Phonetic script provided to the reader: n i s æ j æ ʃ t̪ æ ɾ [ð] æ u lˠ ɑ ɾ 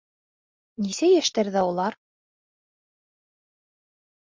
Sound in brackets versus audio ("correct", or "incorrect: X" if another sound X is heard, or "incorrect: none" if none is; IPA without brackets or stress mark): correct